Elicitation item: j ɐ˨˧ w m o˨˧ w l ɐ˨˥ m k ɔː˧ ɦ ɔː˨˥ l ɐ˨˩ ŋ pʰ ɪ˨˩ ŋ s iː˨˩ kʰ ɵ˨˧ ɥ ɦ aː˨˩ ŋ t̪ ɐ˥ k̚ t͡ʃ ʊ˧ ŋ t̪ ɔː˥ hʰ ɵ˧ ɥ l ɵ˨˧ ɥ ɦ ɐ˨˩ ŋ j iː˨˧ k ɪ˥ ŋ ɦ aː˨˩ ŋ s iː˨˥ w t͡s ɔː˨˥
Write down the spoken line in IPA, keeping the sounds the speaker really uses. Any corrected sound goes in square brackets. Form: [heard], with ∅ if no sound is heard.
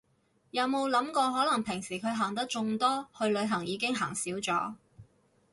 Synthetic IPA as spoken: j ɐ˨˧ w m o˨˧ w l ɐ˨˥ m k ɔː˧ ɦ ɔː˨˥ l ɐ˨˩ ŋ pʰ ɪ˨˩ ŋ s iː˨˩ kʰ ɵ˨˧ ɥ ɦ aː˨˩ ŋ t̪ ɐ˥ k̚ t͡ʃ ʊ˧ ŋ t̪ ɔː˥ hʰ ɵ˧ ɥ l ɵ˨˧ ɥ ɦ ɐ˨˩ ŋ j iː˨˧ k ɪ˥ ŋ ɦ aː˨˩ ŋ s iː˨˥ w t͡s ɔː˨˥